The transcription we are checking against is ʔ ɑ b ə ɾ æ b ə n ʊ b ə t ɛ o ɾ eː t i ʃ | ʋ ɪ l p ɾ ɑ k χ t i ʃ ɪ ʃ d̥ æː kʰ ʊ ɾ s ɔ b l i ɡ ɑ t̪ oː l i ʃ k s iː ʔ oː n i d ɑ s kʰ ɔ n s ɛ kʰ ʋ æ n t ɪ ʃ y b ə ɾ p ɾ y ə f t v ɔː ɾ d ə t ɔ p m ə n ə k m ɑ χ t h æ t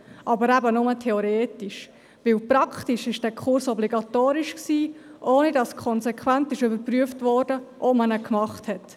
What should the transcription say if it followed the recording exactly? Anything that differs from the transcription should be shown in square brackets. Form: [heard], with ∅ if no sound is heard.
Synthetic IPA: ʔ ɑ b ə ɾ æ b ə n ʊ [m] ə [tʰ] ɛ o ɾ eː t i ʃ | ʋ ɪ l p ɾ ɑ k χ t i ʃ ɪ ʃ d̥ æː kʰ ʊ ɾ s ɔ b l i ɡ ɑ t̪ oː [ɾ] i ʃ k s iː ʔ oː n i d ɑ s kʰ ɔ n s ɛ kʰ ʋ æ n t ɪ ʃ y b ə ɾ p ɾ y ə f t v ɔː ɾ d ə [ʔ] ɔ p m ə n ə k m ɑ χ t h [ɛ] t